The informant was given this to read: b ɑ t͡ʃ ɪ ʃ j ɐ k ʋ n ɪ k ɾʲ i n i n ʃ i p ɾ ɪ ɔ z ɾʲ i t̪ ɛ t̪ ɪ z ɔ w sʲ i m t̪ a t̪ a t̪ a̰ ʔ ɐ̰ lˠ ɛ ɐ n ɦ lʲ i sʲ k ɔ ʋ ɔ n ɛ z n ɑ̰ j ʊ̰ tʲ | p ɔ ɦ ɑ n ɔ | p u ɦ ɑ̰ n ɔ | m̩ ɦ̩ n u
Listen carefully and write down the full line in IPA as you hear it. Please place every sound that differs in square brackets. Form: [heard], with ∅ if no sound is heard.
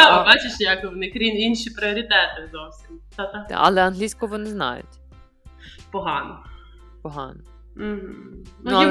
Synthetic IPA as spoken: b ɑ t͡ʃ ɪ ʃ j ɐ k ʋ n ɪ k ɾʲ i n i n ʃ i p ɾ ɪ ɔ [∅] ɾʲ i t̪ ɛ t̪ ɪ z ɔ w sʲ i m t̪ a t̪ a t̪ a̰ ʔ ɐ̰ lˠ ɛ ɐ n ɦ lʲ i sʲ k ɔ ʋ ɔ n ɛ z n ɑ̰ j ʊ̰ tʲ | p ɔ ɦ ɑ n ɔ | p [ɔ] ɦ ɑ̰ n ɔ | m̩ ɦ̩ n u